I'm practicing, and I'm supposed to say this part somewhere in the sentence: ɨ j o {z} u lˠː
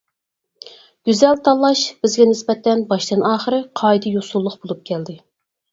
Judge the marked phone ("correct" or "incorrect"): incorrect